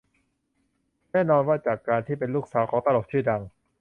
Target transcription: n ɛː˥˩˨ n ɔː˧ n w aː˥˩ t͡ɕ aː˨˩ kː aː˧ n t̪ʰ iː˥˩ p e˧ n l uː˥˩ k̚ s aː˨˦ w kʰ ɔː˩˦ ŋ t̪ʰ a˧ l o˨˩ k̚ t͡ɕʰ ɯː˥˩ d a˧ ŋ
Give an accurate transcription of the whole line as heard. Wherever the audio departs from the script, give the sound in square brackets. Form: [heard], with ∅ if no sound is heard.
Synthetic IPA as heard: n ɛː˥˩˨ n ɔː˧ n w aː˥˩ t͡ɕ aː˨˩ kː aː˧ n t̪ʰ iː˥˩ p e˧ n l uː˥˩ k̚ s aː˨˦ w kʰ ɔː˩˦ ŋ [t̪] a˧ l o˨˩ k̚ t͡ɕʰ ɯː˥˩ d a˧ ŋ